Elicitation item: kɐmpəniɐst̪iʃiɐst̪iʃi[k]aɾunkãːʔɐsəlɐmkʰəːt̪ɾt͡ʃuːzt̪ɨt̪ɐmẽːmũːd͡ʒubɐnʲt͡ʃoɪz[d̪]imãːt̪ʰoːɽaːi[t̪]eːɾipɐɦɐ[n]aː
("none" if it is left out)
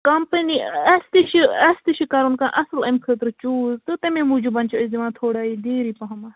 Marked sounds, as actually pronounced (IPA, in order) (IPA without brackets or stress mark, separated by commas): k, d̪, d̪, m